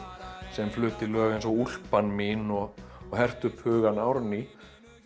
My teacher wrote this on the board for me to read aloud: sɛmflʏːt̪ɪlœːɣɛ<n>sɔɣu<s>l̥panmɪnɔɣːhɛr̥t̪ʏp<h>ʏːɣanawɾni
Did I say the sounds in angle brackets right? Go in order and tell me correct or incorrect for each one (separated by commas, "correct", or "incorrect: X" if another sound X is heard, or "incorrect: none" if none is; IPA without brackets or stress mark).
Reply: correct, incorrect: none, correct